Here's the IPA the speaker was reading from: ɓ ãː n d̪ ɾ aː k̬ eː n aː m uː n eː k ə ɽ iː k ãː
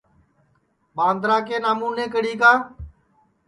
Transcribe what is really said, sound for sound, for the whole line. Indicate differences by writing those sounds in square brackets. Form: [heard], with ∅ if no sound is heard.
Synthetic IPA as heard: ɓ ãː n d̪ ɾ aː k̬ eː n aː m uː n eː k ə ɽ iː k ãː